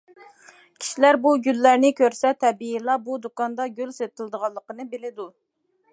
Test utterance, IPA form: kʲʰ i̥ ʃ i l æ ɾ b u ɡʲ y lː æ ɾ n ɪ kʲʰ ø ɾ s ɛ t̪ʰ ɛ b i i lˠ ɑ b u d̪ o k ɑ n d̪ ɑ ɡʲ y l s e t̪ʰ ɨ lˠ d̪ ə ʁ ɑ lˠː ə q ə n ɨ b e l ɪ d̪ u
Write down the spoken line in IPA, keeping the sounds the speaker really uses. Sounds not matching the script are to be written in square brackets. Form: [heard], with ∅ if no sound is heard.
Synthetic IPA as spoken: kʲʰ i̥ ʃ i l æ ɾ b u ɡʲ y lː æ ɾ n ɪ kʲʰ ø ɾ s ɛ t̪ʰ ɛ b i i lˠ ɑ b u d̪ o k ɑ n d̪ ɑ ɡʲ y l s e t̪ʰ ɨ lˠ d̪ ə ʁ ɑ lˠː ə q ə n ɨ b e l ɪ d̪ u